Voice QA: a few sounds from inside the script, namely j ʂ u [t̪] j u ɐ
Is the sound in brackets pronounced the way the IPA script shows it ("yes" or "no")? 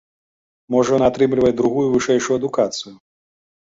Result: no